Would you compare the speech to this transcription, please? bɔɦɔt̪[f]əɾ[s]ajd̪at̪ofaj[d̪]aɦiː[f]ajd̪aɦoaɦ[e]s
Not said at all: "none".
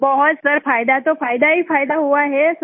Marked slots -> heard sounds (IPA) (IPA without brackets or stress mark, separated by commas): s, f, d̪, f, e